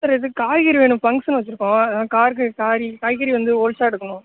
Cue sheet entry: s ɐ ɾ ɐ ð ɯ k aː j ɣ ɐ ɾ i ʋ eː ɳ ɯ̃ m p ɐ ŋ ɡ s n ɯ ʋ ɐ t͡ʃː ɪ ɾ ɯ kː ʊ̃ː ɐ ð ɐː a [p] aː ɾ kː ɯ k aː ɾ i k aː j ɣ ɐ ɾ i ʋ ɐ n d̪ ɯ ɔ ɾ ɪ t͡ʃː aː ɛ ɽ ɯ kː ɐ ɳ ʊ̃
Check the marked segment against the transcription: incorrect: k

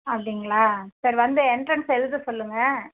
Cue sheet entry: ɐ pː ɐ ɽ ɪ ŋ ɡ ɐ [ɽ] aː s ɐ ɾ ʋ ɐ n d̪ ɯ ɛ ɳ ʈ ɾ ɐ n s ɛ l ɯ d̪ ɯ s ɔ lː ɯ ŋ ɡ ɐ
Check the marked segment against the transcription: incorrect: ɭ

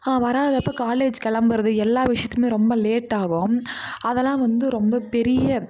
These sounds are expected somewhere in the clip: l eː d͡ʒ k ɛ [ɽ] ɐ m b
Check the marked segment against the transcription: incorrect: ɭ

